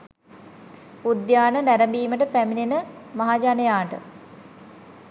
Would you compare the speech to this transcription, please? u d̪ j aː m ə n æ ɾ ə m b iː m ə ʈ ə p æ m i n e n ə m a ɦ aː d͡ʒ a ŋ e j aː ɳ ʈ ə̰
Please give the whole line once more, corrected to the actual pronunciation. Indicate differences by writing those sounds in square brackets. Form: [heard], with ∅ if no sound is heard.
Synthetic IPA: u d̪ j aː [n] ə n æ ɾ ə m b iː m ə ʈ ə p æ m i n e n ə m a ɦ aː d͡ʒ a [n] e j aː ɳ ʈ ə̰